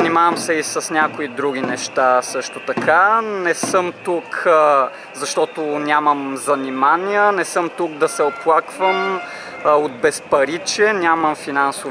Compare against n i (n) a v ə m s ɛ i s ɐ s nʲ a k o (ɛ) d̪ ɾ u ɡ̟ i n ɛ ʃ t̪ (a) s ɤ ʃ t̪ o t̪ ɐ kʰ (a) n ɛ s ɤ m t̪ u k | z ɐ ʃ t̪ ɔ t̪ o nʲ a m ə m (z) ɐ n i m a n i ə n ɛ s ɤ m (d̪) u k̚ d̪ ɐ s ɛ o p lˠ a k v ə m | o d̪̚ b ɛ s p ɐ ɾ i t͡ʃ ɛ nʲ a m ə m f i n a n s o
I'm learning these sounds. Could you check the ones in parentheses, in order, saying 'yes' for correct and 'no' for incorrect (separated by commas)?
no, no, yes, yes, yes, no